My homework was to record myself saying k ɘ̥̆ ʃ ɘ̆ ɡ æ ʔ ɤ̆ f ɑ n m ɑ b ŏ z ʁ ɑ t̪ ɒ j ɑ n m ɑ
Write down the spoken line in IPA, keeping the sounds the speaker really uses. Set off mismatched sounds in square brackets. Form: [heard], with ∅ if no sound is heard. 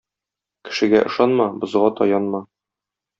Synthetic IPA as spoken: k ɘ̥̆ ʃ ɘ̆ ɡ æ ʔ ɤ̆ [ʃ] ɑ n m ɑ b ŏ z ʁ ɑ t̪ ɒ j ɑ n m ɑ